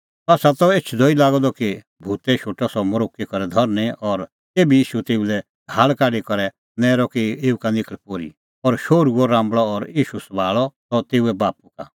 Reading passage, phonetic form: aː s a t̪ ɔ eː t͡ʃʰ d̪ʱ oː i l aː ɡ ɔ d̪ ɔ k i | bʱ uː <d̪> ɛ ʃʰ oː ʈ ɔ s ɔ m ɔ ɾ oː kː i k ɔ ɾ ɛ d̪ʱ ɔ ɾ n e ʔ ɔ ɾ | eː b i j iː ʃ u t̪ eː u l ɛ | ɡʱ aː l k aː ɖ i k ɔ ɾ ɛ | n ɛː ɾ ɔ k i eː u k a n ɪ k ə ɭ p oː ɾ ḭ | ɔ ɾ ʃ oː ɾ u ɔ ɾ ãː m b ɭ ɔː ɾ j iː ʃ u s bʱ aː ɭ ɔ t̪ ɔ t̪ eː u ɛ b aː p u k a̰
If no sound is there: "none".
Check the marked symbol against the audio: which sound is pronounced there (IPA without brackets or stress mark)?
t̪